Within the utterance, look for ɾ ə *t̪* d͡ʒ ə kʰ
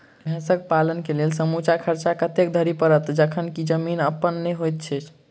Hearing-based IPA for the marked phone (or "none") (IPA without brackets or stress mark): t̪